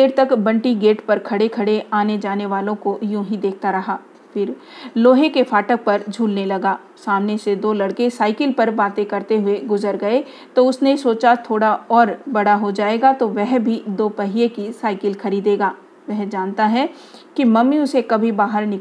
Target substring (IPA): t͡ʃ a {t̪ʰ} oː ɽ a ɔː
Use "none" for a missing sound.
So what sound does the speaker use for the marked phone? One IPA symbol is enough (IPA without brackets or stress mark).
t̪ʰ